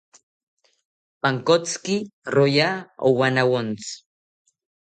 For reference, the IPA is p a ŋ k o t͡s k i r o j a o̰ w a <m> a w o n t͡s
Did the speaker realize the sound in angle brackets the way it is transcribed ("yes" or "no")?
no